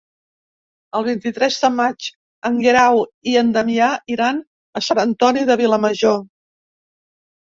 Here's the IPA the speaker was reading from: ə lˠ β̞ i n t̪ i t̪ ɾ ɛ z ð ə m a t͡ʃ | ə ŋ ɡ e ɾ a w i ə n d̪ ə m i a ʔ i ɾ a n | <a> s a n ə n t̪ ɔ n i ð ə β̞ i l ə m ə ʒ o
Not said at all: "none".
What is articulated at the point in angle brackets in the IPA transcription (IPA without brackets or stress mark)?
ə